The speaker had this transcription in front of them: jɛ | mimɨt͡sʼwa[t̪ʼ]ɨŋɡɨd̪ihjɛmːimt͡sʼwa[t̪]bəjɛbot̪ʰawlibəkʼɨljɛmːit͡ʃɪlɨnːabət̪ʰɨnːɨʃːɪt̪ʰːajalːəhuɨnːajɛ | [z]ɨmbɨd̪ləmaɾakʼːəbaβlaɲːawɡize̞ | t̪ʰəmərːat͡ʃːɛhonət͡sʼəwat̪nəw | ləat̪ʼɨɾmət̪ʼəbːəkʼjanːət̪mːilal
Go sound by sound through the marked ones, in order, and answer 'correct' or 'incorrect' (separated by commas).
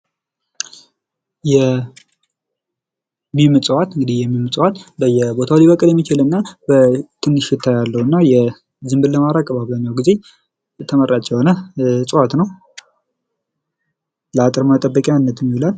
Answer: incorrect, correct, correct